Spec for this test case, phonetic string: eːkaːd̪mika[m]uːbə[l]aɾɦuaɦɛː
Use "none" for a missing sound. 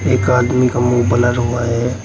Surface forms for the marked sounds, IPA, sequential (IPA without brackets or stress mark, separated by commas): m, l